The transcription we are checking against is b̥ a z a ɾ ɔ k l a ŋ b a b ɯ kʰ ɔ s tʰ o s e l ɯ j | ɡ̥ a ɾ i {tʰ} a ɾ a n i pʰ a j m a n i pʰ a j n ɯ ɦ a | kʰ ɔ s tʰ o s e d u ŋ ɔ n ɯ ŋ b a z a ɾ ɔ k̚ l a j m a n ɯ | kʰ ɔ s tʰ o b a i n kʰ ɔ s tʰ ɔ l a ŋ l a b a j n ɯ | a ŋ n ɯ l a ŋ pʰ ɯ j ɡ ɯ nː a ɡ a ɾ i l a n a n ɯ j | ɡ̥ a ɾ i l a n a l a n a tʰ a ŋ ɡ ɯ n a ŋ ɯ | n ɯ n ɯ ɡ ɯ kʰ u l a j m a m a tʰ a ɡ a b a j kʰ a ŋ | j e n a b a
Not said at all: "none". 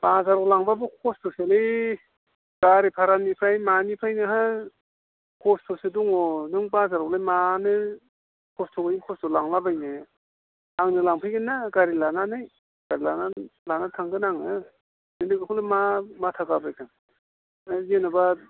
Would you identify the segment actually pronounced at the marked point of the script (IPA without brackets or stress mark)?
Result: pʰ